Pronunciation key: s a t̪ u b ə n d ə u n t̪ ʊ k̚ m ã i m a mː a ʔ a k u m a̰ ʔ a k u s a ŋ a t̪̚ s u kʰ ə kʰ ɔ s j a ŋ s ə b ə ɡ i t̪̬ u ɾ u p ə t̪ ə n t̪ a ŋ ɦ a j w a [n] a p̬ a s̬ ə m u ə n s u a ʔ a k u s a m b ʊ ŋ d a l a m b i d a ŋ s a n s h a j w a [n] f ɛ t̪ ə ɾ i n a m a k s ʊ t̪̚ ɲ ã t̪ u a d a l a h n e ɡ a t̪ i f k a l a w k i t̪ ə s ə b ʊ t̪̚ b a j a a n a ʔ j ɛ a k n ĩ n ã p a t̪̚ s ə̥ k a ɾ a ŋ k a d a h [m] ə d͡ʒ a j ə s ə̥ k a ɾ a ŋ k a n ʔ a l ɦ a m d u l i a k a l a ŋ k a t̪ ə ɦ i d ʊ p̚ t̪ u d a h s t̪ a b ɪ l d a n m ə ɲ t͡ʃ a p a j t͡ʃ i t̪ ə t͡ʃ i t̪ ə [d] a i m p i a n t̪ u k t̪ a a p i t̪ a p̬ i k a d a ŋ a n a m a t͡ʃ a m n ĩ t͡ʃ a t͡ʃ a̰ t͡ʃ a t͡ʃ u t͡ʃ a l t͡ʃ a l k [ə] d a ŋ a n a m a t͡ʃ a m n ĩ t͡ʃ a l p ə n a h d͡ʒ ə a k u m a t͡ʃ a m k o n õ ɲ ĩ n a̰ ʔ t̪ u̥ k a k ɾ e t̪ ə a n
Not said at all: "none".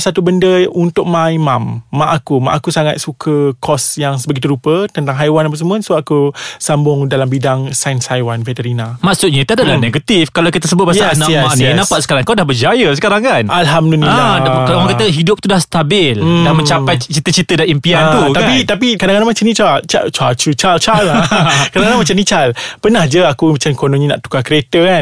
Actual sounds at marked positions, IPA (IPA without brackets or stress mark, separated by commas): n, n, b, d, a